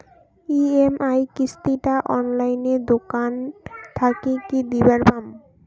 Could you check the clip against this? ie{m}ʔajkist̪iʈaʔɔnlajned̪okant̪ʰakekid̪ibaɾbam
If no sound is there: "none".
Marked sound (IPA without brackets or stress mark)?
m